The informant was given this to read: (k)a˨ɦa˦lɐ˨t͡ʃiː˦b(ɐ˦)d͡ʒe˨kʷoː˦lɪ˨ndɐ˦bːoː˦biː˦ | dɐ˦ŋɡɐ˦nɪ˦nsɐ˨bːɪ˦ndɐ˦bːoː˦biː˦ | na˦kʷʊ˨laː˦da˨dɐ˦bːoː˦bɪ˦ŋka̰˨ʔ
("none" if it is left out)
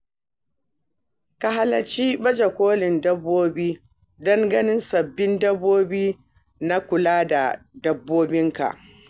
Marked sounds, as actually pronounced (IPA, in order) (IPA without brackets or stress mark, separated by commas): k, ɐ˦